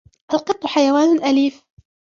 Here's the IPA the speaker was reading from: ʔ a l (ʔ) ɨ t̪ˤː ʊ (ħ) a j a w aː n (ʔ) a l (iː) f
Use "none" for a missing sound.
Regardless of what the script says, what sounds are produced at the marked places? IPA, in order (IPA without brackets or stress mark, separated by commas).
q, ħ, ʔ, iː